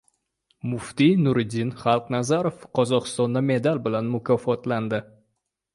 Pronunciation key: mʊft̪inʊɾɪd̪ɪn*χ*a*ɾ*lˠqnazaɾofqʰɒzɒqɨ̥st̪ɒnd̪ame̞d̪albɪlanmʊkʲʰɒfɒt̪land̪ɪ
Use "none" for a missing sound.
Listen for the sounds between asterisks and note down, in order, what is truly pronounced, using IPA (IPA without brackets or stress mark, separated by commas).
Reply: χ, none